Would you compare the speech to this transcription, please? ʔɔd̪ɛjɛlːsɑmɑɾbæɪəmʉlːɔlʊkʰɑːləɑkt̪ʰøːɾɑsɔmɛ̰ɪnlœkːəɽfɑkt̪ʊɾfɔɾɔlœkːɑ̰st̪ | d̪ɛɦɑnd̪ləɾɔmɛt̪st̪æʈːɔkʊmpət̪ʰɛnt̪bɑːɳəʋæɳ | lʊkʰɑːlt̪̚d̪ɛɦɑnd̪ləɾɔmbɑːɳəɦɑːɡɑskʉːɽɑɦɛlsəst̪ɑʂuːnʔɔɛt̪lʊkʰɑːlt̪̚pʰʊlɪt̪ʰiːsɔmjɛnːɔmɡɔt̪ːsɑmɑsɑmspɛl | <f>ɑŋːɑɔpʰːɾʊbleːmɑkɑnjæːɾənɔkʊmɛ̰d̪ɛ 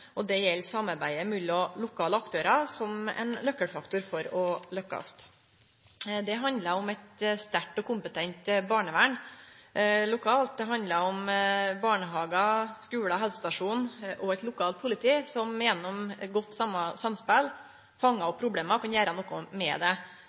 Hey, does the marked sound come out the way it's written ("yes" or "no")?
yes